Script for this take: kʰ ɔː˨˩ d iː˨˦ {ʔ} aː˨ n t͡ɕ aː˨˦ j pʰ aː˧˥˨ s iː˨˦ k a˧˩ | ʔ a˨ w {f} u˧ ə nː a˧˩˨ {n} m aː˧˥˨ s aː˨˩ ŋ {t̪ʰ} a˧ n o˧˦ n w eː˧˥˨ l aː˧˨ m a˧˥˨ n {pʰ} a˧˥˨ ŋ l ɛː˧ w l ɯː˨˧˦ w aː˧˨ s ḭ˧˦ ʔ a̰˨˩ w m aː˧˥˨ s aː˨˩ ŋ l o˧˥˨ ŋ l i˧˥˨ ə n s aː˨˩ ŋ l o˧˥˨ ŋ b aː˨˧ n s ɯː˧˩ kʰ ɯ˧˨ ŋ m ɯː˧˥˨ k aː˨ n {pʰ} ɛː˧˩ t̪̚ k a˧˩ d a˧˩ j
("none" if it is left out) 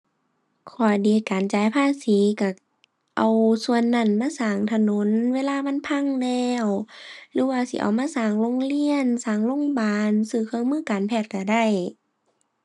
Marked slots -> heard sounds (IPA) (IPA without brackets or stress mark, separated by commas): k, s, n, t̪ʰ, pʰ, pʰ